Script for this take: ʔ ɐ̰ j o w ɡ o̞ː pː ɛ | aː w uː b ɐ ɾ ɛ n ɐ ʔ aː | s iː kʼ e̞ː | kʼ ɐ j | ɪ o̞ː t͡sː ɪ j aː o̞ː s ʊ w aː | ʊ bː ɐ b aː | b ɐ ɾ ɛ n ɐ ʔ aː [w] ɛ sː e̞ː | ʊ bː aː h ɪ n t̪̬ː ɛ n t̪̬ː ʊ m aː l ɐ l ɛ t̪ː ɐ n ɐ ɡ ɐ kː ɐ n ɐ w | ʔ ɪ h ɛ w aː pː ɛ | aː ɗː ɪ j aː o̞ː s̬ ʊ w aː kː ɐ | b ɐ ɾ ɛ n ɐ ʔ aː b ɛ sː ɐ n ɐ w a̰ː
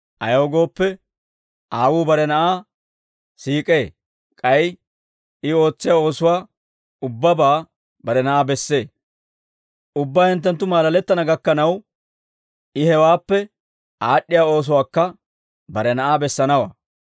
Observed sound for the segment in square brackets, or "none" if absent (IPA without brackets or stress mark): b